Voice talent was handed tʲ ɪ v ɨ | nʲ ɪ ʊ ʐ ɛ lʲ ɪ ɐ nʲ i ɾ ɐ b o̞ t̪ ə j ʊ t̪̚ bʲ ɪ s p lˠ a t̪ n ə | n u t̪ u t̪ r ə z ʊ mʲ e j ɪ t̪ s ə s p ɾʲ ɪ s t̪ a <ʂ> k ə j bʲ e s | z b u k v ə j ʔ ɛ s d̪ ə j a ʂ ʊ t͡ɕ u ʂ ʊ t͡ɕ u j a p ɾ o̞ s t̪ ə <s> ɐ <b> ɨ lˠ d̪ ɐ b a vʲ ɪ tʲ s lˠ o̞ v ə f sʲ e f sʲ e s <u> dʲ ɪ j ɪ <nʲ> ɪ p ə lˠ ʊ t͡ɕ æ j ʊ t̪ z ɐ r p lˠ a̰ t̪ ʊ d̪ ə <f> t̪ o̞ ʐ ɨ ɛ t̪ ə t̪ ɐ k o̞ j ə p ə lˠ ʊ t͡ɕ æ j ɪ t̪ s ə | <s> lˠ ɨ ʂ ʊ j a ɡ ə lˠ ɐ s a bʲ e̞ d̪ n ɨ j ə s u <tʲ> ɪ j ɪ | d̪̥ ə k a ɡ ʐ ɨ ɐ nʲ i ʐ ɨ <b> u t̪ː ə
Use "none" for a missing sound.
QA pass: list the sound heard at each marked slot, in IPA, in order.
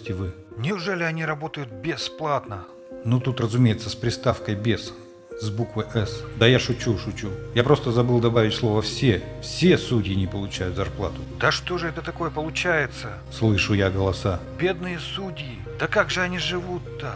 f, z, b, u, nʲ, ʂ, s, dʲ, v

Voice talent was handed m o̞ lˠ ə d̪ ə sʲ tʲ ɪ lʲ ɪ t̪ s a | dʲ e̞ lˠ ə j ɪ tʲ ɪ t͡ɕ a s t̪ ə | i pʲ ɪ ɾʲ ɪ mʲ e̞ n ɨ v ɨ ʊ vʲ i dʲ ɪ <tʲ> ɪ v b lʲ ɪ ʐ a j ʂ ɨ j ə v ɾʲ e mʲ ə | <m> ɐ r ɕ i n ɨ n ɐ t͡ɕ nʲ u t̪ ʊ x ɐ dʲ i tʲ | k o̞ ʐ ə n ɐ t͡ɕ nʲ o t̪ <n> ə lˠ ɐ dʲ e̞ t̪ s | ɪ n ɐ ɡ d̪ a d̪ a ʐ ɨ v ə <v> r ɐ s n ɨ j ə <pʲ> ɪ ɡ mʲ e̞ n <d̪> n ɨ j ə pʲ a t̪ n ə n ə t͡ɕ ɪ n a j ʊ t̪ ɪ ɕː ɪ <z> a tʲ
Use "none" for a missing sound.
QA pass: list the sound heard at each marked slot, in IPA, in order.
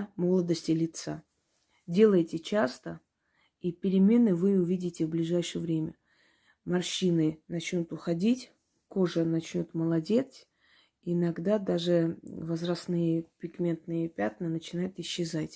tʲ, m, m, z, pʲ, t̪, z

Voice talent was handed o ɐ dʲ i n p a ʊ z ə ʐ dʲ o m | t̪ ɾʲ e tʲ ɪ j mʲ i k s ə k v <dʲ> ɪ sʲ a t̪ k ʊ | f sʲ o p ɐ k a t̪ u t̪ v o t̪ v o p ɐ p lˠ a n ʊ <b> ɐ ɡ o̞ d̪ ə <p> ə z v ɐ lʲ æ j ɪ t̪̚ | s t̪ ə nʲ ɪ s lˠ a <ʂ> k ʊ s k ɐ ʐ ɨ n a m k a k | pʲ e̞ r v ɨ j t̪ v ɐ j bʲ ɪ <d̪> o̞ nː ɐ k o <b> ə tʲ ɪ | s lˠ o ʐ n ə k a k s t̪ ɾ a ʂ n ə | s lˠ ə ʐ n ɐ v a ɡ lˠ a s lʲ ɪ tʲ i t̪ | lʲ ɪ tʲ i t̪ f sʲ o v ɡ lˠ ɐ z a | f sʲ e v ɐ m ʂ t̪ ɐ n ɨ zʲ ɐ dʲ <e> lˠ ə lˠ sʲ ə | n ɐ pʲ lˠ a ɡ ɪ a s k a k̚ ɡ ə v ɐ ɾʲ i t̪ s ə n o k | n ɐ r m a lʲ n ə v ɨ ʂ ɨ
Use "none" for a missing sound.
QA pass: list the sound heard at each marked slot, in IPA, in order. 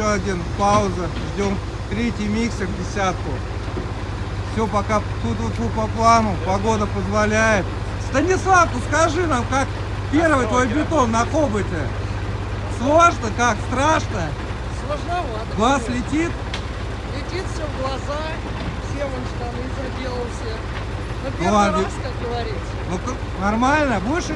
dʲ, p, p, f, t̪, b, e

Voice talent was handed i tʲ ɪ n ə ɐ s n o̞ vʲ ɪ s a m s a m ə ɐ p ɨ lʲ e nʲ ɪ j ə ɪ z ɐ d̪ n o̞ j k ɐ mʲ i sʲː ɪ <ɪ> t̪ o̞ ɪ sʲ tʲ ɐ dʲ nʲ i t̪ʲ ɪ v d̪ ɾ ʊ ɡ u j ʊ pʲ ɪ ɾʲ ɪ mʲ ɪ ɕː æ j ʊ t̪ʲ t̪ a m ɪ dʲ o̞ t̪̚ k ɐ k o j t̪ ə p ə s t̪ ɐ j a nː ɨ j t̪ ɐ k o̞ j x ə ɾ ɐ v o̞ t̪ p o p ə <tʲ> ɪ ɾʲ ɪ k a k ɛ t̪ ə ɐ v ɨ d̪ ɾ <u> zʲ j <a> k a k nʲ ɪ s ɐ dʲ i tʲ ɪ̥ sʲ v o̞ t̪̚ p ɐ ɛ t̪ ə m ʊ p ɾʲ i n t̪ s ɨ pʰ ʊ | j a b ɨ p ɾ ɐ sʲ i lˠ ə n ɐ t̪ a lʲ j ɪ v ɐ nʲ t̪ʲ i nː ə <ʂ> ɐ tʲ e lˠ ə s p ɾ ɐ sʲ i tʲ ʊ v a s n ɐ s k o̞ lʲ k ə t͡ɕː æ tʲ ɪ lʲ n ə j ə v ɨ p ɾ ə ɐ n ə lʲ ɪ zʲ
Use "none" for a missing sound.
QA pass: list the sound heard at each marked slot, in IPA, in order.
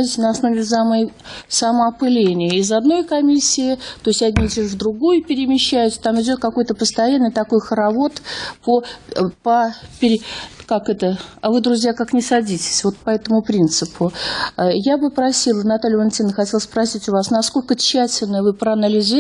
ɪ, pʲ, ʊ, a, x

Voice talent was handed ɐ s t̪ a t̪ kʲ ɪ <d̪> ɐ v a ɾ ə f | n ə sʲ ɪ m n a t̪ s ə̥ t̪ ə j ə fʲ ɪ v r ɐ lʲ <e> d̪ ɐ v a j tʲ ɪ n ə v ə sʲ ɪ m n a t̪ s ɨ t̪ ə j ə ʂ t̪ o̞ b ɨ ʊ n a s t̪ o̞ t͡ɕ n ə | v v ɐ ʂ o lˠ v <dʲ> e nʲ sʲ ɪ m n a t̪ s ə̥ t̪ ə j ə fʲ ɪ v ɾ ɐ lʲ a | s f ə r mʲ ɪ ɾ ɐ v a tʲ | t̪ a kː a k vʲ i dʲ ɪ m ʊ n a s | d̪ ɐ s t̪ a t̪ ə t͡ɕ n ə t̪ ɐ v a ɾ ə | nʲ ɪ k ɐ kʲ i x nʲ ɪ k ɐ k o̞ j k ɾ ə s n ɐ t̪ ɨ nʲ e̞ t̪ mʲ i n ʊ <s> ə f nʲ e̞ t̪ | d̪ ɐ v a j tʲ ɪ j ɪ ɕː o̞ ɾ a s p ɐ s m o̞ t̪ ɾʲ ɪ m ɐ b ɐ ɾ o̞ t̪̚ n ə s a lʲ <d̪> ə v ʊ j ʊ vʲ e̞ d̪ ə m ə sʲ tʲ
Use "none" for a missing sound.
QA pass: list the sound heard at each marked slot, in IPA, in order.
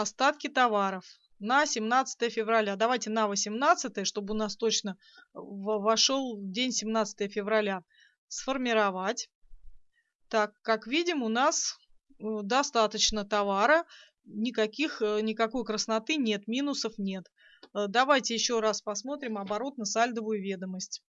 t̪, a, dʲ, s, d̪

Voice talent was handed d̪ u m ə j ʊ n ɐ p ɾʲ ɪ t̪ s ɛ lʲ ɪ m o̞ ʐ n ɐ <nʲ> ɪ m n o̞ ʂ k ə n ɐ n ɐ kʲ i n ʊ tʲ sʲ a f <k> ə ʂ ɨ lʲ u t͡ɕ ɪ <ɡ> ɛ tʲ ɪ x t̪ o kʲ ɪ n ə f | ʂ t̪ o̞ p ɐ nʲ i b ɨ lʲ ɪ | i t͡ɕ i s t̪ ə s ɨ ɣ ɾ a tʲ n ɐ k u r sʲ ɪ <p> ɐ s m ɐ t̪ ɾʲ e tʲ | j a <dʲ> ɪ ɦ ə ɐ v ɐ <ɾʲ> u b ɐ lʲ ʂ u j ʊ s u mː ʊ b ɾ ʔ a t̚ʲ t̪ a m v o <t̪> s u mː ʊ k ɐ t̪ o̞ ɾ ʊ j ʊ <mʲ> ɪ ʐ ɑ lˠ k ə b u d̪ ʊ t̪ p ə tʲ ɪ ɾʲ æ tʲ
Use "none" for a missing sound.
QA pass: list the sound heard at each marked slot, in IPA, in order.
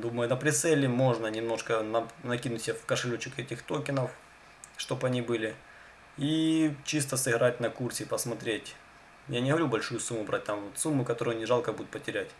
nʲ, k, k, p, nʲ, ɾʲ, t̪, nʲ

